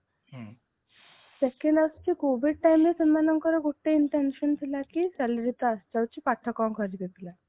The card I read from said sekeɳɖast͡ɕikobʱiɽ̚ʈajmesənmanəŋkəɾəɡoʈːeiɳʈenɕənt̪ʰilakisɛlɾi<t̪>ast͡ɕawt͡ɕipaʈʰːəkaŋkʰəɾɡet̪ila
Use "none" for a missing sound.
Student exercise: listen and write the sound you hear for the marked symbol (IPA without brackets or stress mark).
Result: t̪